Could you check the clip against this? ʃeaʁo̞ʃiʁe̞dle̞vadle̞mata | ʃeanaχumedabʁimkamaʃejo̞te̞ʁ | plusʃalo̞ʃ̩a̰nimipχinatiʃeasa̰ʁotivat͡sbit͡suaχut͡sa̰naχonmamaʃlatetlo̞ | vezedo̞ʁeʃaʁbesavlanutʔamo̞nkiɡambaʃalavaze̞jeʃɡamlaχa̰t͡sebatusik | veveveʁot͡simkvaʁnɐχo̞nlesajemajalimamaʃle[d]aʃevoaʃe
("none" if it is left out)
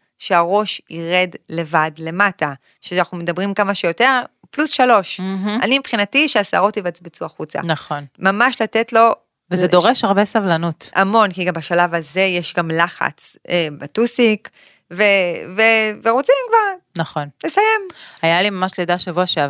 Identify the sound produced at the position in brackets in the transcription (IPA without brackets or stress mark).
d